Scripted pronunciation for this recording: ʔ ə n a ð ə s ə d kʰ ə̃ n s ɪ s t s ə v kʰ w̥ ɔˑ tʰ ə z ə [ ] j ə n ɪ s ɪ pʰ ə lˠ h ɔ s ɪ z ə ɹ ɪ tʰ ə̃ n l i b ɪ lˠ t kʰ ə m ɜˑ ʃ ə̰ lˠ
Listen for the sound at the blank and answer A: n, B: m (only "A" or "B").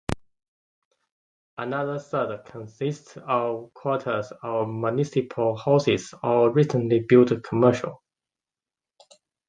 B